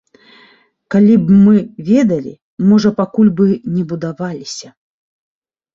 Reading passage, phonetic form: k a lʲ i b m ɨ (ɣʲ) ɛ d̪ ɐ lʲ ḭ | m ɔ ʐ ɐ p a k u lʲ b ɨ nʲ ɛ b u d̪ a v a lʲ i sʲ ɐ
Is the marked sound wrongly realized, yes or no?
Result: yes